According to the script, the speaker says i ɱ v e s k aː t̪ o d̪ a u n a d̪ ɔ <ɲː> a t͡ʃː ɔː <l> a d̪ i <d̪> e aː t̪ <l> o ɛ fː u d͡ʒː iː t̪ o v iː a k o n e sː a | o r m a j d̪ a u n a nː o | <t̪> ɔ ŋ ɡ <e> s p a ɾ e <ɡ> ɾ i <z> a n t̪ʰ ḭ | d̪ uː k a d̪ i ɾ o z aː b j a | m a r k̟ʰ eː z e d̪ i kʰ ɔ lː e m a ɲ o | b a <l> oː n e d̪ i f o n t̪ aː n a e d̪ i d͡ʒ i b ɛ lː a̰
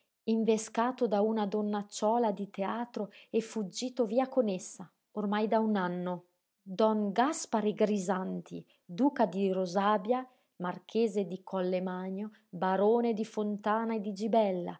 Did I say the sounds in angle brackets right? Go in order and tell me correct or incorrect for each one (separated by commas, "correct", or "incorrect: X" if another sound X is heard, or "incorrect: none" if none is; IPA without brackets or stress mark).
incorrect: nː, correct, incorrect: t̪, incorrect: ɾ, incorrect: d̪, incorrect: a, correct, correct, incorrect: ɾ